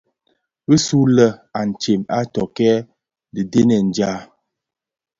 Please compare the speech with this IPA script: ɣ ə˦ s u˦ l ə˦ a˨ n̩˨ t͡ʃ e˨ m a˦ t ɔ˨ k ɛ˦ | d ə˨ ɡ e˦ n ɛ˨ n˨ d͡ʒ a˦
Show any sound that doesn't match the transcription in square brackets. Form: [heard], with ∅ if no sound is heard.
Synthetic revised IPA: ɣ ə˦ s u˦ l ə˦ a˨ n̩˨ t͡ʃ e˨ m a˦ t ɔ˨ k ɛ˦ | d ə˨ [d] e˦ n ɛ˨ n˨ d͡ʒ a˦